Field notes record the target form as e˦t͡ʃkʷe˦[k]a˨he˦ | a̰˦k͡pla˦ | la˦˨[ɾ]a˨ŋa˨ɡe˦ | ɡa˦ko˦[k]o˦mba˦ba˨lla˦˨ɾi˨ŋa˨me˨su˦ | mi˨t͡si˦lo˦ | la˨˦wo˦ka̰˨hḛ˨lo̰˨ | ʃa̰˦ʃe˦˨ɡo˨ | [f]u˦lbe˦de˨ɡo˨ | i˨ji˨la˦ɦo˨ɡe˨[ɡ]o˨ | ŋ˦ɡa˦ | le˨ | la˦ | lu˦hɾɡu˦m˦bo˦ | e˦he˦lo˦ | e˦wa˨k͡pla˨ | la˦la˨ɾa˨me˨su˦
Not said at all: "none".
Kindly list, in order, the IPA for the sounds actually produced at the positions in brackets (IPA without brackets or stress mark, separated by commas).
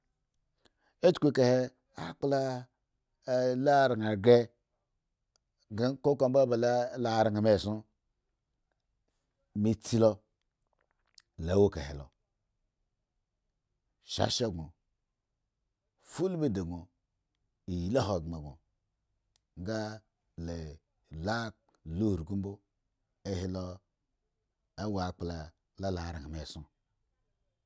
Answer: k, ɾ, k, f, ɡ